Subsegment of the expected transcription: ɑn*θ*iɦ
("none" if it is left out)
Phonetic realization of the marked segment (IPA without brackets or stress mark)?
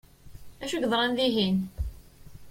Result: ð